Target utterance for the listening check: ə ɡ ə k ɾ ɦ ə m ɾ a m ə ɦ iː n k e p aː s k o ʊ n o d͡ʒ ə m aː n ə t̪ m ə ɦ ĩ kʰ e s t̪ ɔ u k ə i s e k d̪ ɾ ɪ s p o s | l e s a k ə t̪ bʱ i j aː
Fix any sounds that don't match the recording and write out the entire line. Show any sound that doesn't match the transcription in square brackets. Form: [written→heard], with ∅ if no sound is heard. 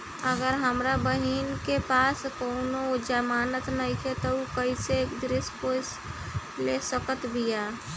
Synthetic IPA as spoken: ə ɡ ə [k→∅] ɾ ɦ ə m ɾ a [m→b] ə ɦ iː n k e p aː s k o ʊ n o d͡ʒ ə m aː n ə t̪ [m→n] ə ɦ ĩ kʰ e [s→∅] t̪ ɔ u k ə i s e k d̪ ɾ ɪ s p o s | l e s [a→ə] k ə t̪ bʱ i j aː